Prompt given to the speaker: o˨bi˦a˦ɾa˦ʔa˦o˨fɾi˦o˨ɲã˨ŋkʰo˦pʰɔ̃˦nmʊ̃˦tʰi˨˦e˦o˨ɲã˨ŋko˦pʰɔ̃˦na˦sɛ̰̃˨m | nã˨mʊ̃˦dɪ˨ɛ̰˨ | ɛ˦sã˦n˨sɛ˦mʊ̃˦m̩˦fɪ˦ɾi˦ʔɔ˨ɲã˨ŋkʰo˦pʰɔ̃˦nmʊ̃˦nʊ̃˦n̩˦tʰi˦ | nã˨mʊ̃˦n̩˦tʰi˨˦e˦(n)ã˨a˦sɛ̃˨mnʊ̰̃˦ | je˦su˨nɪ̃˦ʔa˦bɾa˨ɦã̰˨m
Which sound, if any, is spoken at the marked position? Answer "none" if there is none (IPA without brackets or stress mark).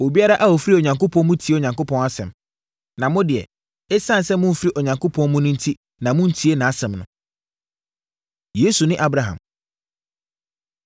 n